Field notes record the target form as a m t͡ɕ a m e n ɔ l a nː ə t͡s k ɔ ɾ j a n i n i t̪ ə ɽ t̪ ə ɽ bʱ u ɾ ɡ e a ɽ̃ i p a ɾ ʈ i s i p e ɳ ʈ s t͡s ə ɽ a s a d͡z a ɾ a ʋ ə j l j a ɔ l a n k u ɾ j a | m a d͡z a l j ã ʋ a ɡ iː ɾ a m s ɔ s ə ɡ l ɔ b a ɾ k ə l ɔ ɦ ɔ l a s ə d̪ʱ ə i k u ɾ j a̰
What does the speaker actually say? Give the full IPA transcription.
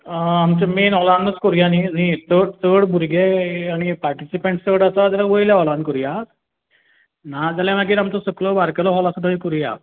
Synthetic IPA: a m t͡ɕ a m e n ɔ l a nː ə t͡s k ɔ ɾ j a n i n i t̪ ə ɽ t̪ ə ɽ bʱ u ɾ ɡ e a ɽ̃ i p a ɾ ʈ i s i p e ɳ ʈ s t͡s ə ɽ a s a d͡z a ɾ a ʋ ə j l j a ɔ l a n k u ɾ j a | n a d͡z a l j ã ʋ a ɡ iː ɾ a m t͡s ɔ s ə k l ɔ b a ɾ k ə l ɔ ɦ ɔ l a s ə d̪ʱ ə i k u ɾ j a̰